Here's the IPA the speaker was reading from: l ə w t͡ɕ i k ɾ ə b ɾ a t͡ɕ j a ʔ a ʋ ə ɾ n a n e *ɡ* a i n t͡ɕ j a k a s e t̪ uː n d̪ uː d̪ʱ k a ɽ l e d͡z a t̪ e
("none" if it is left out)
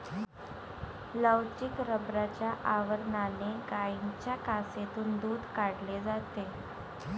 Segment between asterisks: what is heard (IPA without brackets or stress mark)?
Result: ɡ